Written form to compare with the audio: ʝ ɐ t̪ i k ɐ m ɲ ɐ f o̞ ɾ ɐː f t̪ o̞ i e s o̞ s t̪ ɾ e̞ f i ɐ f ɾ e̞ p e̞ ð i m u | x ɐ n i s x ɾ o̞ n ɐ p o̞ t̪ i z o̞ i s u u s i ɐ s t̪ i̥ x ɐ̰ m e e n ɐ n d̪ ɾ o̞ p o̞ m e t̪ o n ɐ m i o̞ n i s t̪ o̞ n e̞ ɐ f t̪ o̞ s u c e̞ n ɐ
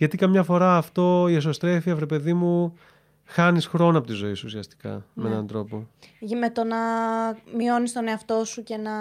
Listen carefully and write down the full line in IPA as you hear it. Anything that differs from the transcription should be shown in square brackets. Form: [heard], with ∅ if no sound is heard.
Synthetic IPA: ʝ ɐ t̪ i k ɐ m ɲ ɐ f o̞ ɾ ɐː f t̪ o̞ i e s o̞ s t̪ ɾ e̞ f i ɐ f ɾ e̞ p e̞ ð i m u | x ɐ n i s x ɾ o̞ n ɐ p o̞ t̪ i z o̞ i s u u s i ɐ s t̪ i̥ [k] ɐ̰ m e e n ɐ n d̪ ɾ o̞ p o̞ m e t̪ o n ɐ m i o̞ n i s t̪ o̞ n e̞ ɐ f t̪ o̞ s u c e̞ n ɐ